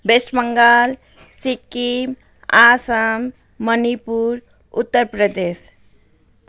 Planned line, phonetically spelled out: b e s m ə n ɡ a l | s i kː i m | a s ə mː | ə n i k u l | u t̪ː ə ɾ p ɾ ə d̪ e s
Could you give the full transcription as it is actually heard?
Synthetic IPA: b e s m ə ŋ ɡ a l | s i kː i m | a s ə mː | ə n i p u ɾ | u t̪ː ə ɾ p ɾ ə d̪ e s